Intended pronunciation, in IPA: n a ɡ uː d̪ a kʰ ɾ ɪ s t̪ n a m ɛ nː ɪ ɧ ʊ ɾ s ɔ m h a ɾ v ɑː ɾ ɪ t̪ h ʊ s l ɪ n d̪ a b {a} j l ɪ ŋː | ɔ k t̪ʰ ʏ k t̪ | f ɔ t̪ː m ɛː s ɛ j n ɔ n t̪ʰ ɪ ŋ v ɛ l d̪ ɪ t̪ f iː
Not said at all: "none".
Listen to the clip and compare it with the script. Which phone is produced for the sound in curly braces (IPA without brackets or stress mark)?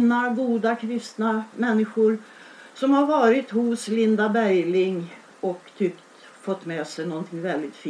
æ